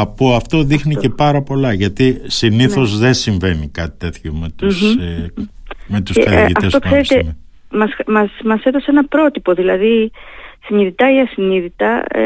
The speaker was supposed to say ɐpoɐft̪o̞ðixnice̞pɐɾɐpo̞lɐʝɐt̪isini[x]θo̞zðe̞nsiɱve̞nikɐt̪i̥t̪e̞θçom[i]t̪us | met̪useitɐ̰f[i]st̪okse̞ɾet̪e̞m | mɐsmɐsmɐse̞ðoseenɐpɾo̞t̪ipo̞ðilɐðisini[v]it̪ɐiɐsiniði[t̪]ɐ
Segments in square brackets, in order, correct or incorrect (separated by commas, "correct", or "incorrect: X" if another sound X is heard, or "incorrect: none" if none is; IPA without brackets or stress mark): incorrect: θ, incorrect: e, incorrect: e, incorrect: ð, correct